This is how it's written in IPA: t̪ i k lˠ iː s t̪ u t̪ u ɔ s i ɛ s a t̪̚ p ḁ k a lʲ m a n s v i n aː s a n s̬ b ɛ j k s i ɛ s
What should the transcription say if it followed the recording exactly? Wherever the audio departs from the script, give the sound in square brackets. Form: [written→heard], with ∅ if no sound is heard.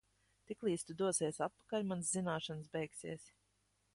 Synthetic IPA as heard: t̪ i k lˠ iː s t̪ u [t̪→d̪] u ɔ s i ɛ s a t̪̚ p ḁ k a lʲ m a n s [v→z] i n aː [s→ʃ] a n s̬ b ɛ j k s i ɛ s